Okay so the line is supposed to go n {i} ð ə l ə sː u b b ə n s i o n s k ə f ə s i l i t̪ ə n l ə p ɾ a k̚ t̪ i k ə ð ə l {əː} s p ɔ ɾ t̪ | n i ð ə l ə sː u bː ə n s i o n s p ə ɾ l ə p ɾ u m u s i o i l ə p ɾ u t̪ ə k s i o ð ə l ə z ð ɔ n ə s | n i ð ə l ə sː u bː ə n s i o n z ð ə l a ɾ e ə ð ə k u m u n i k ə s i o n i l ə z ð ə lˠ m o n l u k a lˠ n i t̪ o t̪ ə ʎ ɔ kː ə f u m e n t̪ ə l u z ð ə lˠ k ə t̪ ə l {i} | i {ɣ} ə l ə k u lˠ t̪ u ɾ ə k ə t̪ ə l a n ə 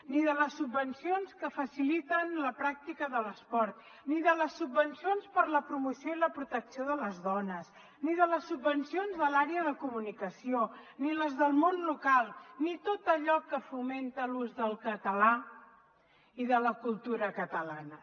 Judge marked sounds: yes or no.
yes, no, no, no

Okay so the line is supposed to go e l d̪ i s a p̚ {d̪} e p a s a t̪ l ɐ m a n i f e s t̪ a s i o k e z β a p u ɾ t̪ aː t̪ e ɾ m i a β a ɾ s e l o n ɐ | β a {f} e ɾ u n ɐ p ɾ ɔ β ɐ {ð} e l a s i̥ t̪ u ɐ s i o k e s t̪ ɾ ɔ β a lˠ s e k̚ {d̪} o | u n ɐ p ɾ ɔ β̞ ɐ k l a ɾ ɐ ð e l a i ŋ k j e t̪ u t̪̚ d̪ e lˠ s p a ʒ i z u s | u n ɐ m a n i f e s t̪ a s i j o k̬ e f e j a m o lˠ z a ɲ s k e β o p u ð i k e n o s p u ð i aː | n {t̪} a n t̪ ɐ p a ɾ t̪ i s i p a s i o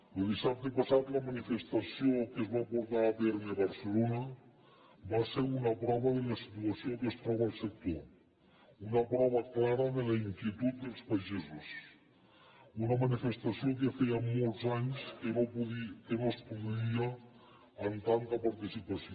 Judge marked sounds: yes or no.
no, no, yes, no, yes

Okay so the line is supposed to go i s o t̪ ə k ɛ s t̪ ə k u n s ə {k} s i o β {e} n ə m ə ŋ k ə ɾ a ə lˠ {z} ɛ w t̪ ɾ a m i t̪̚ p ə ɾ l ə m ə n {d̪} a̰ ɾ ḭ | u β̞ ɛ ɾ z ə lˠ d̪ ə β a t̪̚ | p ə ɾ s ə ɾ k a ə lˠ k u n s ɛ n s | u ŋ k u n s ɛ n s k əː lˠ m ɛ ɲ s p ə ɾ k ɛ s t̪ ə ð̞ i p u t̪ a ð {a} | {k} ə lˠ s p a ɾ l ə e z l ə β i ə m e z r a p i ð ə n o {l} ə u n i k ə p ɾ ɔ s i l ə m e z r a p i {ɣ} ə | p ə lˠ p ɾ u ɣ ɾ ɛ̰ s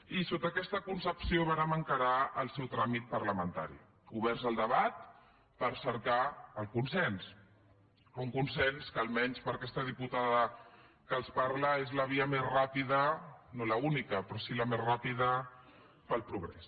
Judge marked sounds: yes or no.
no, no, no, no, no, yes, yes, no

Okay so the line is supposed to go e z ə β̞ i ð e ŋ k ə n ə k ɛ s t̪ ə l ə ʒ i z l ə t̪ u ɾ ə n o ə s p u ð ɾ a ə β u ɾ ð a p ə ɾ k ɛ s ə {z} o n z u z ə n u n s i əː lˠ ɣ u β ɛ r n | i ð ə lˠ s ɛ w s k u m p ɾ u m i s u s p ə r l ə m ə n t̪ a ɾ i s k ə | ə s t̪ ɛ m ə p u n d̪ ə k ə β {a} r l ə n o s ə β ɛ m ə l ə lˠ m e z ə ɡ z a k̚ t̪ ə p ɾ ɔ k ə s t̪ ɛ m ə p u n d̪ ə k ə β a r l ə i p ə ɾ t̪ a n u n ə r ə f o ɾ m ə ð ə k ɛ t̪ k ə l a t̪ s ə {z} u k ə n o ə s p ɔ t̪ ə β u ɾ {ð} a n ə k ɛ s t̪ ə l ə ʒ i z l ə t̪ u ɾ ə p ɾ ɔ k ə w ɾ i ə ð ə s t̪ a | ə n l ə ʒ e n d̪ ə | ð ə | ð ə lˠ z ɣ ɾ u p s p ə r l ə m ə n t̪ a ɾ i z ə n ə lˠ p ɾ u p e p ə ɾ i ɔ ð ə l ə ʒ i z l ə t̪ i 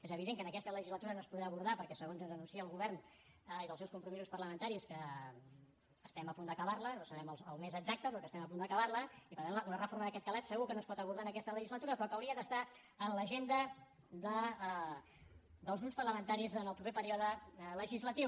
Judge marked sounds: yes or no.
no, yes, no, yes

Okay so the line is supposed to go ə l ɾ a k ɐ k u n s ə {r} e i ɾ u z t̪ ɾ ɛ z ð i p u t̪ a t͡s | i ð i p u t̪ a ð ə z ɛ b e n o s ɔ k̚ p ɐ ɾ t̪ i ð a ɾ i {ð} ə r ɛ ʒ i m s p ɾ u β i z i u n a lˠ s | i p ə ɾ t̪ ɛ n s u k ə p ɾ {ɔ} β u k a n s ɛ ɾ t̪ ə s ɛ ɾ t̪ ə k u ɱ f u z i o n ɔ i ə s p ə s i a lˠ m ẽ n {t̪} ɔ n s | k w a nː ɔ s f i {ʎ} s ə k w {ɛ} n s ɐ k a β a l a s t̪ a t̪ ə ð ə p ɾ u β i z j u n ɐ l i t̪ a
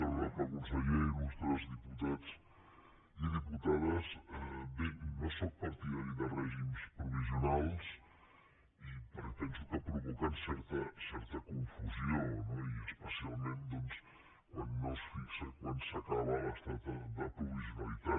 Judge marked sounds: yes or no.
no, yes, no, no, yes, no

